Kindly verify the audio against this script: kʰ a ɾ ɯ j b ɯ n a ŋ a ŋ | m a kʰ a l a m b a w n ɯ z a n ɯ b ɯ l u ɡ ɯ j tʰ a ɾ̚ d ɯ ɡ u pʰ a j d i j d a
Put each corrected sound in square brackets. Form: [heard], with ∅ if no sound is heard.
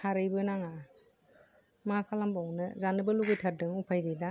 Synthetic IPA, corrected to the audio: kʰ a ɾ ɯ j b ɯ n a ŋ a [∅] | m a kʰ a l a m b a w n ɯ z a n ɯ b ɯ l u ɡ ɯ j tʰ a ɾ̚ d ɯ [ŋ] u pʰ a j d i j d a